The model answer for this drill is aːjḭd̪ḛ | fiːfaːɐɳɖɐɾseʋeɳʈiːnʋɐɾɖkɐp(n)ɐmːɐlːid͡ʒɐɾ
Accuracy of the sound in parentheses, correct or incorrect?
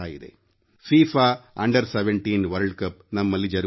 correct